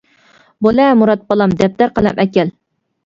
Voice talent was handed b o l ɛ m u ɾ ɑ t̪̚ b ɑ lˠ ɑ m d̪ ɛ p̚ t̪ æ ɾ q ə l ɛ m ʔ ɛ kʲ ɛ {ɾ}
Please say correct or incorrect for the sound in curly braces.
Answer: incorrect